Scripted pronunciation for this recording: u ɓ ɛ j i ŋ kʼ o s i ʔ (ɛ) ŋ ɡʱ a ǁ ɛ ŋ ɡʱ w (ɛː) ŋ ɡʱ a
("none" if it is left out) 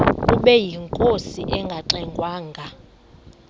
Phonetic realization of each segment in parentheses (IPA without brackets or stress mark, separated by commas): ɛ, aː